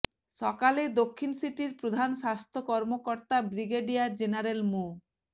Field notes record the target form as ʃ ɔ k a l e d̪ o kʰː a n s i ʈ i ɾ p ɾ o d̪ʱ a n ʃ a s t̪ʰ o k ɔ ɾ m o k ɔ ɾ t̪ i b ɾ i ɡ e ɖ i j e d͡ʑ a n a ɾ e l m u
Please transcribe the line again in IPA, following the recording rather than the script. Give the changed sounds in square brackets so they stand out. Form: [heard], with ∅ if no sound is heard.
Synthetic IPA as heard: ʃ ɔ k a l e d̪ o kʰː [i] n s i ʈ i ɾ p ɾ o d̪ʱ a n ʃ a s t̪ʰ o k ɔ ɾ m o k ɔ ɾ t̪ [a] b ɾ i ɡ e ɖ i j [a] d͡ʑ [e] n a ɾ e l m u